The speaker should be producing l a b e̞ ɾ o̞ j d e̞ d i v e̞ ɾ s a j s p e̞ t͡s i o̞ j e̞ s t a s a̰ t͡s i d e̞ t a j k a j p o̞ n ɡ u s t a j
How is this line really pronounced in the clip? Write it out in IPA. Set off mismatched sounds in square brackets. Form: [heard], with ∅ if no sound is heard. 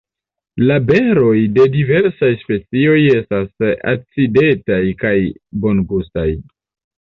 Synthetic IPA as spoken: l a b e̞ ɾ o̞ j d e̞ d i v e̞ ɾ s a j s p e̞ t͡s i o̞ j e̞ s t a s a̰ t͡s i d e̞ t a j k a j [b] o̞ n ɡ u s t a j